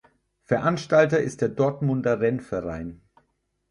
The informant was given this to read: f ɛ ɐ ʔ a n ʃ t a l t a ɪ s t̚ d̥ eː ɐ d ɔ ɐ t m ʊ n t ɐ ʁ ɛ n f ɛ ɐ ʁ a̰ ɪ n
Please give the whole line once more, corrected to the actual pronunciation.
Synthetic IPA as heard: f ɛ ɐ ʔ a n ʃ t a l t ɐ ɪ s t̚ d̥ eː ɐ d ɔ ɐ t m ʊ n d ɐ ʁ ɛ n f ɛ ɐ ʁ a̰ ɪ n